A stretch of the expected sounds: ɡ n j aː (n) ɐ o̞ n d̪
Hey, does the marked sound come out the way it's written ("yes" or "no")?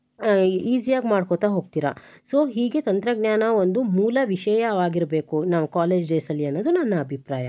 yes